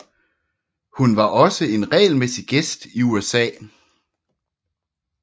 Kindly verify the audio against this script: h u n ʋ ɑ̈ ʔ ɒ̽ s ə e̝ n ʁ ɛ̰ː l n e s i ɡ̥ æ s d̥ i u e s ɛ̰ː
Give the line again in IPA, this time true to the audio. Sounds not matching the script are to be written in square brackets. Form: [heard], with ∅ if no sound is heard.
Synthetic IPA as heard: h u n ʋ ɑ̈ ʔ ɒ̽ s ə e̝ n ʁ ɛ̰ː l [m] e s i ɡ̥ [e] s d̥ i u e s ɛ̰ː

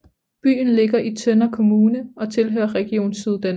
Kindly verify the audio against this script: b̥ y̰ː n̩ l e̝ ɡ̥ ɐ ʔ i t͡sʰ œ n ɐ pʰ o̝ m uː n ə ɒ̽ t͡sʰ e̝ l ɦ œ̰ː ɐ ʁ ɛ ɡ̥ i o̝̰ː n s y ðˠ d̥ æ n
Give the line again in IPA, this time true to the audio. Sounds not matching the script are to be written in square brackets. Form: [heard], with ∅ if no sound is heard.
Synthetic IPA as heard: b̥ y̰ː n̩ l e̝ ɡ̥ ɐ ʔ i t͡sʰ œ n ɐ [kʰ] o̝ m uː n ə ɒ̽ t͡sʰ e̝ l ɦ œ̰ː ɐ ʁ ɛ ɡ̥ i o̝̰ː n s y ðˠ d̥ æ n

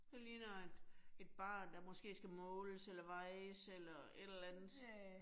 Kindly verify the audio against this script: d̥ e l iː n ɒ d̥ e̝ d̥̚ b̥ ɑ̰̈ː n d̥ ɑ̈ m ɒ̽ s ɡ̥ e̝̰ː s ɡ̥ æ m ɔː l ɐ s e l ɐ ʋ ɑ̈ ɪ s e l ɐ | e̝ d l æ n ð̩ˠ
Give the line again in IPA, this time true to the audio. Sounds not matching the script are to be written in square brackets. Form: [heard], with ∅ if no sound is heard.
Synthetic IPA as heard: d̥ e l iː n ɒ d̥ e̝ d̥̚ b̥ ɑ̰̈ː n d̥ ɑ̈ m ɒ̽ s ɡ̥ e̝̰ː s ɡ̥ æ m ɔː l [ə] s e l ɐ ʋ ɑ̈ ɪ s e l ɐ | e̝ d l æ n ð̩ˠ

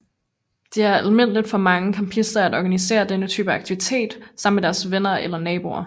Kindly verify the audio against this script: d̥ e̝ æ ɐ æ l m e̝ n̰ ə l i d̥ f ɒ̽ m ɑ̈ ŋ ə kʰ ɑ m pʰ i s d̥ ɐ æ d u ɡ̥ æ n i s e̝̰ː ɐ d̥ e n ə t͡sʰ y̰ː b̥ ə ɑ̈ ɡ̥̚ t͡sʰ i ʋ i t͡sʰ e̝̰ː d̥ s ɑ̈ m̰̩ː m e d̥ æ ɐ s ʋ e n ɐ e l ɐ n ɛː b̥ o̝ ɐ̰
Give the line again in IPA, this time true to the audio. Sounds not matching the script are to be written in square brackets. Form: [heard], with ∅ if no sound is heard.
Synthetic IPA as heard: d̥ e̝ æ ɐ æ l m e̝ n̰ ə l i d̥ f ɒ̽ m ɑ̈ ŋ ə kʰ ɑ m pʰ i s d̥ ɐ æ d [ɒ] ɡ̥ æ n i s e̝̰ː ɐ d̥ e n ə t͡sʰ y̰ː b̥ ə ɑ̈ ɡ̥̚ t͡sʰ i ʋ i t͡sʰ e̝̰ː d̥ s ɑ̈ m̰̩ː m e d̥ æ ɐ s ʋ e n ɐ e l ɐ n ɛː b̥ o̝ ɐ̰

